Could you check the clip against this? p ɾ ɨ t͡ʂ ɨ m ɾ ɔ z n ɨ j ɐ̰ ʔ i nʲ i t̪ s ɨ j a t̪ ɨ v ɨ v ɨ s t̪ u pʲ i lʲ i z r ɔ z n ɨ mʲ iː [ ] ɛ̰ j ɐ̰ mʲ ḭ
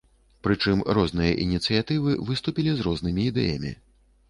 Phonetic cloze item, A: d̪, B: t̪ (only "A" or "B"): A